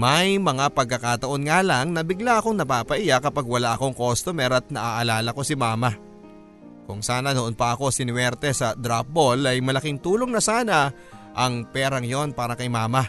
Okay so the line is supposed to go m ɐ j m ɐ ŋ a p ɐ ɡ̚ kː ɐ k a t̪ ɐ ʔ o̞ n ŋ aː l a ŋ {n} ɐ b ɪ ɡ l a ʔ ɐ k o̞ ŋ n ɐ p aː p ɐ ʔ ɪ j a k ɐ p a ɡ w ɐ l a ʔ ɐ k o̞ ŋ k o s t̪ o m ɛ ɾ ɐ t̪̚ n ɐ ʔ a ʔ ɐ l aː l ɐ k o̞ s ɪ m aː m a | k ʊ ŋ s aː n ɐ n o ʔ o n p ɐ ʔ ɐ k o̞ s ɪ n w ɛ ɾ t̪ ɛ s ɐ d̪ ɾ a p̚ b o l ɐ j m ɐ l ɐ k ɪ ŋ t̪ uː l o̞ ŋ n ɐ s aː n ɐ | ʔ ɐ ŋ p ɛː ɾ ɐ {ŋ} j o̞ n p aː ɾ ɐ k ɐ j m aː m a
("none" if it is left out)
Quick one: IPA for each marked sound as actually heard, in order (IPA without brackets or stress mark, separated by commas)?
n, ŋ